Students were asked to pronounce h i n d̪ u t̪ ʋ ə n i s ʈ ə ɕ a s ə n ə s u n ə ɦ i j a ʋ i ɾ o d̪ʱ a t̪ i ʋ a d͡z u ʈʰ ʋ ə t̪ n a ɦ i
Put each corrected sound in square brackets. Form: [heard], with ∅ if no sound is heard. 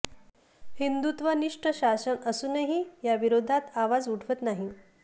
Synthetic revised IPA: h i n d̪ u t̪ ʋ ə n i [ʂ] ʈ ə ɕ a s ə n ə s u n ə ɦ i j a ʋ i ɾ o d̪ʱ a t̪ [a] ʋ a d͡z u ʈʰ ʋ ə t̪ n a ɦ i